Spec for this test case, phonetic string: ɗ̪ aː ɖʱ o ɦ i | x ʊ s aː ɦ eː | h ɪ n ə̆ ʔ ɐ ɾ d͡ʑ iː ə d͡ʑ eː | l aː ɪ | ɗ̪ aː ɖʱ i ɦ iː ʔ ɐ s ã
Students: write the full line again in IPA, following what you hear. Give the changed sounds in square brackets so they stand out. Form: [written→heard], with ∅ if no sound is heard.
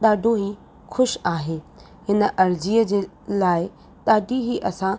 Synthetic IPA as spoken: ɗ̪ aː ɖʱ o ɦ i | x ʊ [s→ʃ] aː ɦ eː | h ɪ n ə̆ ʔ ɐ ɾ d͡ʑ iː ə d͡ʑ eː | l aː ɪ | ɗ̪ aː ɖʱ i ɦ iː ʔ ɐ s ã